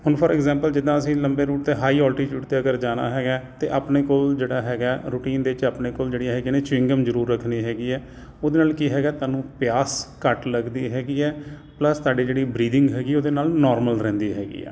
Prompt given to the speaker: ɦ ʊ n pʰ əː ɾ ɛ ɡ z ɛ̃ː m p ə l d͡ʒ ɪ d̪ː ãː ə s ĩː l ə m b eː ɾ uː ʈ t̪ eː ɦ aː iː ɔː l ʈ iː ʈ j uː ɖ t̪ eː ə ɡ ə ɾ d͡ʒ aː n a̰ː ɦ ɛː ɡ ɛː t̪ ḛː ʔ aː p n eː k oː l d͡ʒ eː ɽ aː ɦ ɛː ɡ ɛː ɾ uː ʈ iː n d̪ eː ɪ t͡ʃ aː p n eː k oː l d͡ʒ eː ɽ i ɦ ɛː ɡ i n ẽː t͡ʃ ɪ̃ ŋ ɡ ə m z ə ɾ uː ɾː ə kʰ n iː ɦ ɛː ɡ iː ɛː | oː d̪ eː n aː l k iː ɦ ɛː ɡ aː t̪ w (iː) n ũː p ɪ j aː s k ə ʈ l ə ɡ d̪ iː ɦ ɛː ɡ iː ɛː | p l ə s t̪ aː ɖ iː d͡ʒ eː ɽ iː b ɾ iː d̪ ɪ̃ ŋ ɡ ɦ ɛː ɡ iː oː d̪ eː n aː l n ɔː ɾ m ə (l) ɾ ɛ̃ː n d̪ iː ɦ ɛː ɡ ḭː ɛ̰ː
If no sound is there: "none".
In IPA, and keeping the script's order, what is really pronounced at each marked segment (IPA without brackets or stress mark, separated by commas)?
aː, l